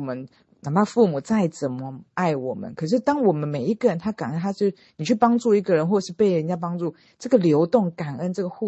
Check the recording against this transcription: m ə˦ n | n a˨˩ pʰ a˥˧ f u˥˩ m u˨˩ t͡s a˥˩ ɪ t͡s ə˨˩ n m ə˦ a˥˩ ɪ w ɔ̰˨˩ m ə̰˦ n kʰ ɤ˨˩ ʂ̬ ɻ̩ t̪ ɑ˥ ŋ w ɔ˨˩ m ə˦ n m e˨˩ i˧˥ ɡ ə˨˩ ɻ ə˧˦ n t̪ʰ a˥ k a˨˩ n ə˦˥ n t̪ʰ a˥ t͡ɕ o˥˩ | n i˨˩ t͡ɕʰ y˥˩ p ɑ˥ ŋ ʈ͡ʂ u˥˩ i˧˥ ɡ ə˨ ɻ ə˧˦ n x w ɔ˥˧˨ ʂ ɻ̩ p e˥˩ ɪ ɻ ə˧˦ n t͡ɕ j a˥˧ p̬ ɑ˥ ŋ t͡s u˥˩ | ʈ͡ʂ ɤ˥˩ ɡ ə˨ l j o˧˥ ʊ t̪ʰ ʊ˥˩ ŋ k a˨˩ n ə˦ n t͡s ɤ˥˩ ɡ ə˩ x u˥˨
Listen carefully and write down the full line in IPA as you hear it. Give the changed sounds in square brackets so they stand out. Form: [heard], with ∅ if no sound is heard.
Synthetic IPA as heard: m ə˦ n | n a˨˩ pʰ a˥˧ f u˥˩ m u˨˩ t͡s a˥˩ ɪ t͡s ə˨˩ n m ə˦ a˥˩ ɪ w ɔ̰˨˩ m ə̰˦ n kʰ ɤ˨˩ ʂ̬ ɻ̩ t̪ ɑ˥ ŋ w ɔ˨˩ m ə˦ n m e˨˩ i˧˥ ɡ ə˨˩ ɻ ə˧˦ n t̪ʰ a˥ k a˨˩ n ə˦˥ n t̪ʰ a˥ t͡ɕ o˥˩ | n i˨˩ t͡ɕʰ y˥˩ p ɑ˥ ŋ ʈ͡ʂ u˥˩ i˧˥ ɡ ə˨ ɻ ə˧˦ n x w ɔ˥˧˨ ʂ ɻ̩ p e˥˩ ɪ ɻ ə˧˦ n t͡ɕ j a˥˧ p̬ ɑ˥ ŋ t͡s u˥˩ | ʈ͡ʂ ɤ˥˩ ɡ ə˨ l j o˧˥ ʊ [t̪] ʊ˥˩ ŋ k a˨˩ n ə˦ n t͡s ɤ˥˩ ɡ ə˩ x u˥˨